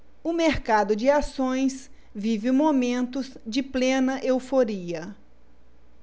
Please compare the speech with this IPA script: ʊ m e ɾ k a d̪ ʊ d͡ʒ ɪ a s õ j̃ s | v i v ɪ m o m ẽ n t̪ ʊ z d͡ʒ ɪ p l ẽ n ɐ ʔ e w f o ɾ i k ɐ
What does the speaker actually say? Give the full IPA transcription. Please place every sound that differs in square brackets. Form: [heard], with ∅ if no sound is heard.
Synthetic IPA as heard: ʊ m e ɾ k a d̪ ʊ d͡ʒ ɪ a s õ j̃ s | v i v ɪ m o m ẽ n t̪ ʊ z d͡ʒ ɪ p l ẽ n ɐ ʔ e w f o ɾ i [∅] ɐ